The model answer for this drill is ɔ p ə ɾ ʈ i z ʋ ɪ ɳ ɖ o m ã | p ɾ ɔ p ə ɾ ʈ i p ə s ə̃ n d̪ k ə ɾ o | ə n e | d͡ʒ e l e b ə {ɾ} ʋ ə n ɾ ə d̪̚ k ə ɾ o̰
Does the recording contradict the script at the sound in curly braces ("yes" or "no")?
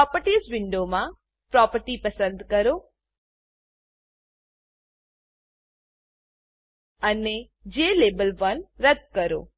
yes